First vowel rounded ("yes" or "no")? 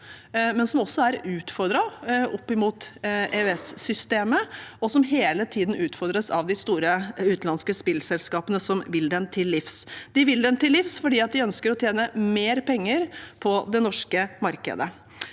no